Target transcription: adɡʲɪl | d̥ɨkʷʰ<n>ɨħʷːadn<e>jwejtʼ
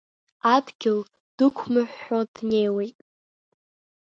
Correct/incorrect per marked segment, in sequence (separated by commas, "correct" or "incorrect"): incorrect, correct